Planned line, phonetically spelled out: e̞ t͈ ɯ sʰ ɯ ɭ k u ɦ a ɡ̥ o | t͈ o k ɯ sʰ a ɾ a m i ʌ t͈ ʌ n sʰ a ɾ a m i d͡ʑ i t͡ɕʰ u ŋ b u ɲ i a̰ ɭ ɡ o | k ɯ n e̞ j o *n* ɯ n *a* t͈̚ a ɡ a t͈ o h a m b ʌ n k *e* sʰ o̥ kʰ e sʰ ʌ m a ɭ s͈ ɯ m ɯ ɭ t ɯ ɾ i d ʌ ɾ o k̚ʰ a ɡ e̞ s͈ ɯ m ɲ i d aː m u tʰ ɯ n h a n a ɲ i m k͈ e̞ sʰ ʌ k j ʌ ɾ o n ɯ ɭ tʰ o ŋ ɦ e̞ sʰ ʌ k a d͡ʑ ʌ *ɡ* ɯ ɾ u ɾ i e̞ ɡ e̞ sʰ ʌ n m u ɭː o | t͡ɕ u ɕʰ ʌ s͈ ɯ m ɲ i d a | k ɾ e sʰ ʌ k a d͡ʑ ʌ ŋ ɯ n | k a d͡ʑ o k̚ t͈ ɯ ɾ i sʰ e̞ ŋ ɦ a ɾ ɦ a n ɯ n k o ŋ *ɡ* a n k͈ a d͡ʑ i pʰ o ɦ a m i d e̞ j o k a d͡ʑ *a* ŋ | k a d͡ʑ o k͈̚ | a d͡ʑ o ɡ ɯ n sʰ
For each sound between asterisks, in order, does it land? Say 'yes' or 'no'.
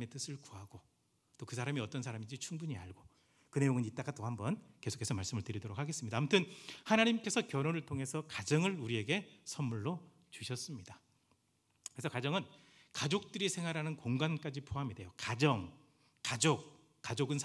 no, no, yes, no, yes, no

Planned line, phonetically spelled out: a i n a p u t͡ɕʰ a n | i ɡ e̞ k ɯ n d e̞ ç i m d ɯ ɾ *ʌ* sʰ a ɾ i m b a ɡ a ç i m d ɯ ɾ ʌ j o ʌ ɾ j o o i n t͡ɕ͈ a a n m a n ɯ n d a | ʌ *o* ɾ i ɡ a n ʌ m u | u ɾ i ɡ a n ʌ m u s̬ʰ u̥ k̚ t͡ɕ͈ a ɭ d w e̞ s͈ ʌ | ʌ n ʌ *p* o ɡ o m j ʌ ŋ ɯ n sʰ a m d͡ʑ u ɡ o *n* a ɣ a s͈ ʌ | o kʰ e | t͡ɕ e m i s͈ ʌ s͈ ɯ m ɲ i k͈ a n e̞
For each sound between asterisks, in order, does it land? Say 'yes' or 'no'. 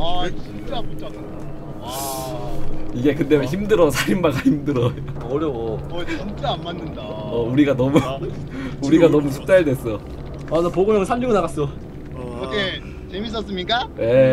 yes, no, yes, yes

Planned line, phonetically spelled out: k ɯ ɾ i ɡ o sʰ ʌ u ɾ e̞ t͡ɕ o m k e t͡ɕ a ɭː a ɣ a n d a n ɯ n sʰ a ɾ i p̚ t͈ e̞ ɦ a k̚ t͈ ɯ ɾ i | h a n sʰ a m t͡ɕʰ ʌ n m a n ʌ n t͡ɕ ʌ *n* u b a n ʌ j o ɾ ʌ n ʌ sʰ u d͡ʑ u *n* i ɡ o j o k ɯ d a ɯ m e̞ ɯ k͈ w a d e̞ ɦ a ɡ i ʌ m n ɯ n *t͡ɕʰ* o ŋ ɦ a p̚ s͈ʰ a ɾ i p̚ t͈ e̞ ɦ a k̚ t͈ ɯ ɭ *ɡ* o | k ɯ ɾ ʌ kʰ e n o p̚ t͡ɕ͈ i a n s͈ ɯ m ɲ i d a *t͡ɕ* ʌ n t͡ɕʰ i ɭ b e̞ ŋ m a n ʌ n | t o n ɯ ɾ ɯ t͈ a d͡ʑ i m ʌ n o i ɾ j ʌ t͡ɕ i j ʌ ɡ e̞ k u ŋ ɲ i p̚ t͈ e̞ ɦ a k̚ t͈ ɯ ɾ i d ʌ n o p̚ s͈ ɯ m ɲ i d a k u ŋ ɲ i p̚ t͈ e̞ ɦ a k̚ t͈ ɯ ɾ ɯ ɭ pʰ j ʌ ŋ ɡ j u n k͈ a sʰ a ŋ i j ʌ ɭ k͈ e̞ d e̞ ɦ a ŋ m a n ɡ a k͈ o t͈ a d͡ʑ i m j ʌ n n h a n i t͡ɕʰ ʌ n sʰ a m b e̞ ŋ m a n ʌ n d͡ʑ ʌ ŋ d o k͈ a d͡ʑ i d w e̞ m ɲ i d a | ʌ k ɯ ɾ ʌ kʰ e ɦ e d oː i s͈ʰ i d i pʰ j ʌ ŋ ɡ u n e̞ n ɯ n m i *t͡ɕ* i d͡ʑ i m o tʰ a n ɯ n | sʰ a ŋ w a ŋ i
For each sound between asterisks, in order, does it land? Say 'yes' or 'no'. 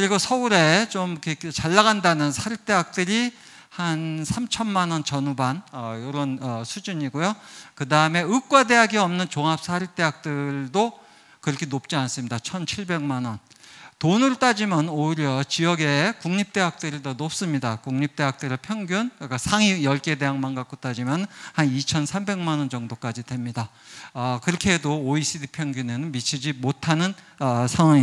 yes, no, no, no, no, no

